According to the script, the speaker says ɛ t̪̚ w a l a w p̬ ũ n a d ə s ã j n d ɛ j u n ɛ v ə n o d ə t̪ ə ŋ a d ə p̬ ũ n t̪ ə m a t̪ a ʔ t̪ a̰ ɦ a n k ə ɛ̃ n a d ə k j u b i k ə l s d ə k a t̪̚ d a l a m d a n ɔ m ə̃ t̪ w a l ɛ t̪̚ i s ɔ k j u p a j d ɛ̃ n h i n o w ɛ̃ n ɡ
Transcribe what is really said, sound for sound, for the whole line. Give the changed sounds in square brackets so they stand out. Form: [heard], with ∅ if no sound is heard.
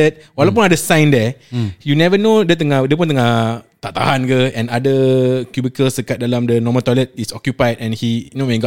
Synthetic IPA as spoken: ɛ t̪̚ w a l a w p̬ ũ n a d ə s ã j n d ɛ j u n ɛ v ə n o d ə t̪ ə ŋ a d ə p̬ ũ n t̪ ə [ŋ] a t̪ a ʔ t̪ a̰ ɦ a n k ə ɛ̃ n a d ə k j u b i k ə l s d ə k a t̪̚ d a l a m d [ə] n ɔ m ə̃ t̪ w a l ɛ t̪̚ i s ɔ k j u p a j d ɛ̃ n h i n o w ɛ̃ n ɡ